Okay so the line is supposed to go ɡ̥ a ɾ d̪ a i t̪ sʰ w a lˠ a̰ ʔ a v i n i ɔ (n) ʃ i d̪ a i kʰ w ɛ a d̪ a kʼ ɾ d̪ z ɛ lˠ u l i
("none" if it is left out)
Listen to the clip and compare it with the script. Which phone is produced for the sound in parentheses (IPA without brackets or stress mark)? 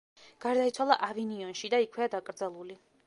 n